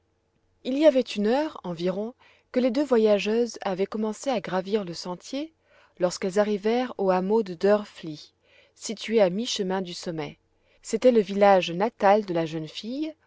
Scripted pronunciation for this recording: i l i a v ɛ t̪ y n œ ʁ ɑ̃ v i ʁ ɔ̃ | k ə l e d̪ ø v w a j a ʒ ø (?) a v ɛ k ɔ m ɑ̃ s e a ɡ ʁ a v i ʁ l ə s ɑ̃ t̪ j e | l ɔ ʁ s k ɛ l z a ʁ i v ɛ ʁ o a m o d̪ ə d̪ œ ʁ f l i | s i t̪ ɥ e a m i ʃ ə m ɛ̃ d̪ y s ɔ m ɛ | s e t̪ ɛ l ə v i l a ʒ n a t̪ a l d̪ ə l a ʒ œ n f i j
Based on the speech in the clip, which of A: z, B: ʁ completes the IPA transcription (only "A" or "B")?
A